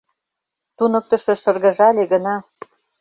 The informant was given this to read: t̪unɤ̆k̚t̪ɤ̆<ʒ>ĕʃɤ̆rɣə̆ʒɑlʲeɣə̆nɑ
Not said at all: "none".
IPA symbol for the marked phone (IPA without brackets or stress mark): ʃ